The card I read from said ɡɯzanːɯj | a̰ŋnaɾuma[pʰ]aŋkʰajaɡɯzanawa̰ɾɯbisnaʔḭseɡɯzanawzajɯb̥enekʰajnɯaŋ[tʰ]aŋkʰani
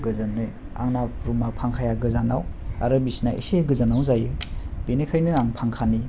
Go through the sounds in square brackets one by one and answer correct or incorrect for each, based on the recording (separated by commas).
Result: correct, incorrect